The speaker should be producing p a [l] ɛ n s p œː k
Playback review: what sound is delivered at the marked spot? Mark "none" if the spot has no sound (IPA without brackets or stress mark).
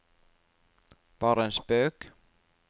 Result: ɾ